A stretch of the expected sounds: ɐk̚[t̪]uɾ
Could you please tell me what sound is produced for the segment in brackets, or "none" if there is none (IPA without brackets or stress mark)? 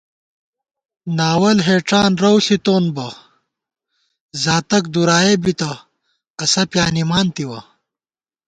d̪